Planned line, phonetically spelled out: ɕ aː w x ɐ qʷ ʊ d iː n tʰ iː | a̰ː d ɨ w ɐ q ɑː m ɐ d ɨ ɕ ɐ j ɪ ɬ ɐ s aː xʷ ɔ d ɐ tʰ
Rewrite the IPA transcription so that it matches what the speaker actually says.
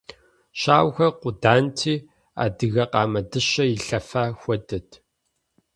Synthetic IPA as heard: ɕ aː w x ɐ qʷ ʊ d aː n tʰ iː | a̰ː d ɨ ɣ ɐ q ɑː m ɐ d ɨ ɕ ɐ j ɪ ɬ ɐ f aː xʷ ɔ d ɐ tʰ